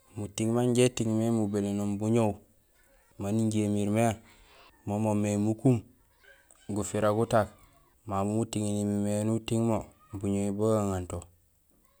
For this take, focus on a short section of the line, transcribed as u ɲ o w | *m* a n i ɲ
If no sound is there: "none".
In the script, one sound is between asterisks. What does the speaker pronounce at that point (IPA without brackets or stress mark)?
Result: m